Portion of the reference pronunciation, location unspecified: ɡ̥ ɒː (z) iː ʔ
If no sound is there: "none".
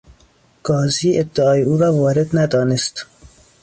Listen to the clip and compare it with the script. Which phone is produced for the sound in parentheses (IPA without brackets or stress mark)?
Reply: z